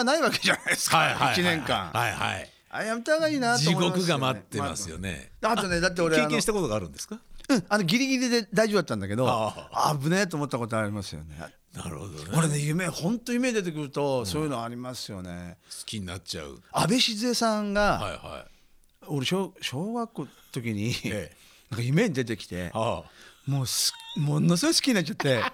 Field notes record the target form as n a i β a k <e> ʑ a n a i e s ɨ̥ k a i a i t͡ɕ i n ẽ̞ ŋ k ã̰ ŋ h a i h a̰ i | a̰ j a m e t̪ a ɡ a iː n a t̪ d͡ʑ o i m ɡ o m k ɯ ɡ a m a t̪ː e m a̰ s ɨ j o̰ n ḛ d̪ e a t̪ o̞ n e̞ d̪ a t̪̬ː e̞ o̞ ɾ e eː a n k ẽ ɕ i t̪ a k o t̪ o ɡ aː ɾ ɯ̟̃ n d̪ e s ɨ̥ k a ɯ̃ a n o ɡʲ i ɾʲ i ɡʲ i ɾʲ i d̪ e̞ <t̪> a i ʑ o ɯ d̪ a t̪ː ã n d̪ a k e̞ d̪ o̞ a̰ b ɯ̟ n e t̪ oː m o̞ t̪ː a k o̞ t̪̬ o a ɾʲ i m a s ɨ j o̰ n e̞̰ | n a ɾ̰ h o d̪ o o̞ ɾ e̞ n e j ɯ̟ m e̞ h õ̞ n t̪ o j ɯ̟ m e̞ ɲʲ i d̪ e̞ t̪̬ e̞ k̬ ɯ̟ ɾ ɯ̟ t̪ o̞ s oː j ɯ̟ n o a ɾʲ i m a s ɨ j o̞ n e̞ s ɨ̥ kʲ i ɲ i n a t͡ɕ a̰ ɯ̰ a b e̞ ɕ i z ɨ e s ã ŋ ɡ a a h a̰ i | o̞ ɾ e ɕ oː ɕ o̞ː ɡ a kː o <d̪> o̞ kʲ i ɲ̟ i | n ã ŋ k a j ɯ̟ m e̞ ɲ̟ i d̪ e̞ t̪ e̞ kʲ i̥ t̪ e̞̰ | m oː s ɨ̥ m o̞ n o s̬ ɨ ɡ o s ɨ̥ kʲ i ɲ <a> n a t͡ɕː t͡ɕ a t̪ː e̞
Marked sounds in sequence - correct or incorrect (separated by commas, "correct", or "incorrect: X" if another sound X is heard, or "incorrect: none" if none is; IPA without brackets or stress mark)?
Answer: correct, incorrect: d̪, incorrect: t̪, incorrect: i